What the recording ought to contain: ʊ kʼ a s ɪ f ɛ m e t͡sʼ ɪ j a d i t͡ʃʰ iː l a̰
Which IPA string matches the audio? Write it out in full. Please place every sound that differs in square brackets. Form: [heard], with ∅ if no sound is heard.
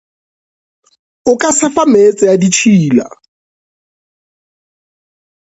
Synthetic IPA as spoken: ʊ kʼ a s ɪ f [a] m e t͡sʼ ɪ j a d i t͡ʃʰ iː l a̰